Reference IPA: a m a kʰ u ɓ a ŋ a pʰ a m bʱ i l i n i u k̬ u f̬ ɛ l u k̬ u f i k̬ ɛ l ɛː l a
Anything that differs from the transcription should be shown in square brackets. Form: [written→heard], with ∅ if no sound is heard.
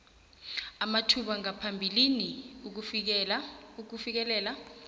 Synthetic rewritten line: a m a [kʰ→tʰ] u ɓ a ŋ a pʰ a m bʱ i l i n i u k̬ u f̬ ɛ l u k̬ u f i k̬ ɛ l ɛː l a